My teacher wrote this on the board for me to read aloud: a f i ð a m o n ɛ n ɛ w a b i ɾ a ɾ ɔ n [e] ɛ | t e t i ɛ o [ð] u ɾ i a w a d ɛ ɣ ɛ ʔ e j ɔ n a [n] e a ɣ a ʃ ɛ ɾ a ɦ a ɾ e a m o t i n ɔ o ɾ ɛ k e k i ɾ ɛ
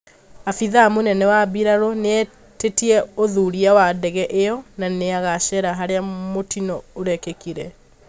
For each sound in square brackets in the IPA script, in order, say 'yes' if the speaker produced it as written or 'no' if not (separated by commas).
yes, yes, yes